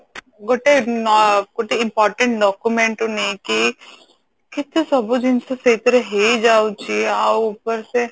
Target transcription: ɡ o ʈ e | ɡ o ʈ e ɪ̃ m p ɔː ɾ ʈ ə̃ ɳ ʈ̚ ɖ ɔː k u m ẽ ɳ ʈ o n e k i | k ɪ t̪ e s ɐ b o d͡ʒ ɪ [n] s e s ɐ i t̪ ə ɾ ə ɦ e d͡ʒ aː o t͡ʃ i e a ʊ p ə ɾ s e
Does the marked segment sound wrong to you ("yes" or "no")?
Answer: no